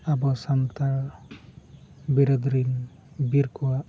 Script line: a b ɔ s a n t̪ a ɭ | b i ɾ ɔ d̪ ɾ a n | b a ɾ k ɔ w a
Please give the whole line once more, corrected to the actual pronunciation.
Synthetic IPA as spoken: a b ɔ s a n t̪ a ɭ | b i ɾ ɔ d̪ ɾ i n | b i ɾ k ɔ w a